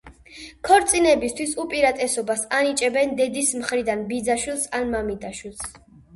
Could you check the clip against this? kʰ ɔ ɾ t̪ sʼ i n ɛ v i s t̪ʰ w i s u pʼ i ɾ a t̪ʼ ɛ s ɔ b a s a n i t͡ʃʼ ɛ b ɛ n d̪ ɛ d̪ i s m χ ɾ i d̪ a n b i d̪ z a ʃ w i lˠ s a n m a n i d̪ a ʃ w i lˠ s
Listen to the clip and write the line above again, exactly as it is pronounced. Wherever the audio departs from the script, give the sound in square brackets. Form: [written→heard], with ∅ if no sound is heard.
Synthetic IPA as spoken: kʰ ɔ ɾ t̪ sʼ i n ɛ [v→b] i s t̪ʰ w i s u pʼ i ɾ a t̪ʼ ɛ s ɔ b a s a n i t͡ʃʼ ɛ b ɛ n d̪ ɛ d̪ i s m χ ɾ i d̪ a n b i d̪ z a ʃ w i lˠ s a n m a [n→m] i d̪ a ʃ w i lˠ s